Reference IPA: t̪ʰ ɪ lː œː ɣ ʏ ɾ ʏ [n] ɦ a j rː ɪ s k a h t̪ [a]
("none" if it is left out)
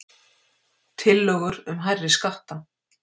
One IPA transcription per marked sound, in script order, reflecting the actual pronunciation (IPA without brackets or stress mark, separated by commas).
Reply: m, a